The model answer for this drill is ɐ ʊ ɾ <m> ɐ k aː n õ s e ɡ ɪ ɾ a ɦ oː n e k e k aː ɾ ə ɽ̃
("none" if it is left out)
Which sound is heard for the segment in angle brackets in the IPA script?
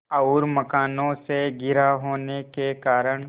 m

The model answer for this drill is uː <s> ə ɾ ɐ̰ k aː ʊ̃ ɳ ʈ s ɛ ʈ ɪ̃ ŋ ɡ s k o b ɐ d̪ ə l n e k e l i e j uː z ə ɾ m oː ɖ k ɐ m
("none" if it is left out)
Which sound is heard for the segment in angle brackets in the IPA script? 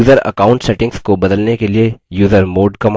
z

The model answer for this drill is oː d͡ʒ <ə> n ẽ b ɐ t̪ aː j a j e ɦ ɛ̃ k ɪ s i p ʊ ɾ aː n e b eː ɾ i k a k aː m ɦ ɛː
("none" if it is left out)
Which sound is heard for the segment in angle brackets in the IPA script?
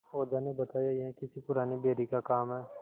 a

